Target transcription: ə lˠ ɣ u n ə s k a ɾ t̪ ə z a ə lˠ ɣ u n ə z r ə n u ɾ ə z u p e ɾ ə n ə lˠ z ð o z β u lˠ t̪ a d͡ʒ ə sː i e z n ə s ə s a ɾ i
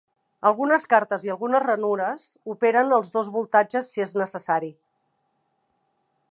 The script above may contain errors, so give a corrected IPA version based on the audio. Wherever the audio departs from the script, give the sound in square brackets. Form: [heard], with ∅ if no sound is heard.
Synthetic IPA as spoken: ə lˠ ɣ u n ə s k a ɾ t̪ ə z [i] ə lˠ ɣ u n ə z r ə n u ɾ ə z u p e ɾ ə n ə lˠ z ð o z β u lˠ t̪ a d͡ʒ ə sː i e z n ə s ə s a ɾ i